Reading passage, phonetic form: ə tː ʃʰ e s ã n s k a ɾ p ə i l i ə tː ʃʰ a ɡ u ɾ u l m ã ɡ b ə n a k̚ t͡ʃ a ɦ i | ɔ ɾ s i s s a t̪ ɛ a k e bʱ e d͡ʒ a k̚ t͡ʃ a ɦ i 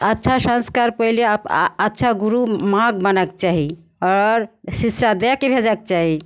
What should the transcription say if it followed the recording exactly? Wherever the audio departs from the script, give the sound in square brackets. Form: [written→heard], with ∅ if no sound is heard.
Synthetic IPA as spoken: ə tː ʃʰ [e→a] s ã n s k a ɾ p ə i l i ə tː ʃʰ a ɡ u ɾ u [l→∅] m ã ɡ b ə n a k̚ t͡ʃ a ɦ i | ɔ ɾ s i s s a [t̪→d̪] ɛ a k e bʱ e d͡ʒ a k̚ t͡ʃ a ɦ i